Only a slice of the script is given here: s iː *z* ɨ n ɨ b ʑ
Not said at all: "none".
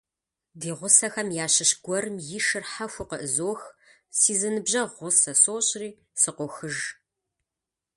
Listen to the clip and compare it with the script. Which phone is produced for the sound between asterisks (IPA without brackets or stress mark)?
z